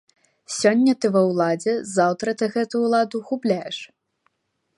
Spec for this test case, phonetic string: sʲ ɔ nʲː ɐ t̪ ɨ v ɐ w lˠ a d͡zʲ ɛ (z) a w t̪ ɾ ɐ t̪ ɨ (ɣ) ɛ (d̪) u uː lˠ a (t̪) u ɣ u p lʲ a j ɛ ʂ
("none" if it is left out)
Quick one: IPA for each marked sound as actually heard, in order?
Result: z, ɣ, t̪, d̪

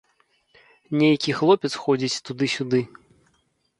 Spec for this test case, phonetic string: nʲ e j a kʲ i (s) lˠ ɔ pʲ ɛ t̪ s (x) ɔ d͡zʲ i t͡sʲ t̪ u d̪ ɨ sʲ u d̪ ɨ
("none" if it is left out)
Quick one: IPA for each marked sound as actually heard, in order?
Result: x, x

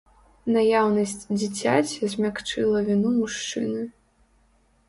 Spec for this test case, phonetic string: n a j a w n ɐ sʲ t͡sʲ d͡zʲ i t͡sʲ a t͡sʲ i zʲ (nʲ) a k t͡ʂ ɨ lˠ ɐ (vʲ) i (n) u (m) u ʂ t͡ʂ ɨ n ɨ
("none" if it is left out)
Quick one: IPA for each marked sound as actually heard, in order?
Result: mʲ, vʲ, n, m

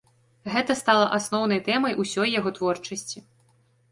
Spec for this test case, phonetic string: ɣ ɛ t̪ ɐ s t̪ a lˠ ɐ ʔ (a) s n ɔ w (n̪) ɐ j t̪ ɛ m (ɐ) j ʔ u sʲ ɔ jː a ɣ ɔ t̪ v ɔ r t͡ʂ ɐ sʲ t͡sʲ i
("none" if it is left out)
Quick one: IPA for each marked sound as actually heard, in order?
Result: a, n̪, ɐ

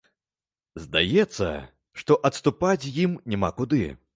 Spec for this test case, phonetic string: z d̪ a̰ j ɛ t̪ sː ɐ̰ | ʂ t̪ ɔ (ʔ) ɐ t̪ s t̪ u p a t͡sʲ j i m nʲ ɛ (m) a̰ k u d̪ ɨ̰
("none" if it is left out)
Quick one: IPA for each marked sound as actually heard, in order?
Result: ʔ, m

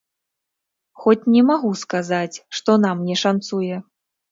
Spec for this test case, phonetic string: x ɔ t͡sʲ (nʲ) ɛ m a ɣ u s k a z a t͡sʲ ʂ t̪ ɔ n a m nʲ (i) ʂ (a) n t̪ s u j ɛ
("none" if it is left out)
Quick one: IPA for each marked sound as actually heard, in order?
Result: nʲ, ɛ, a

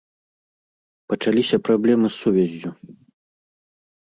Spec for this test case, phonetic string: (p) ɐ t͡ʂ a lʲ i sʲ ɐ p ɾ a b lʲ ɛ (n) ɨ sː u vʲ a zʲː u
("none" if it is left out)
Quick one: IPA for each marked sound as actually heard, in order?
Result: p, m

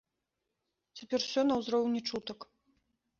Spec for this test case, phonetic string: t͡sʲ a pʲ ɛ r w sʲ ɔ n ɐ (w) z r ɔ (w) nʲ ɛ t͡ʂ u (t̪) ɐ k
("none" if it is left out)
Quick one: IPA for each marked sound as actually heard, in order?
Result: w, w, t̪

